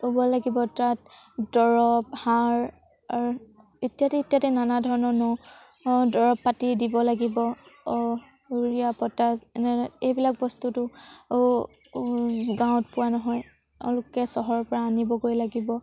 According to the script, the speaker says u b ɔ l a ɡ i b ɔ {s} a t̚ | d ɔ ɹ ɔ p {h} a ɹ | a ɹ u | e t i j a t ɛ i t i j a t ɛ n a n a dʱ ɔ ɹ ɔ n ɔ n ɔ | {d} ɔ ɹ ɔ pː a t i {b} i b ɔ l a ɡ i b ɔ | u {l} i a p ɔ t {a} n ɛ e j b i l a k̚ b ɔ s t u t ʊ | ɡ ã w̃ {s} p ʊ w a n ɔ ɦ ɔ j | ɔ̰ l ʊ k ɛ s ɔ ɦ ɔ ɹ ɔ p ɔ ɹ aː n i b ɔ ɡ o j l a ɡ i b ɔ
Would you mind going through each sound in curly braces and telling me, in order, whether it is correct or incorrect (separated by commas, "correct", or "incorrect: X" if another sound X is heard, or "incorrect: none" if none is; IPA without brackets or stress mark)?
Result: incorrect: t, correct, correct, incorrect: d, incorrect: ɹ, correct, incorrect: t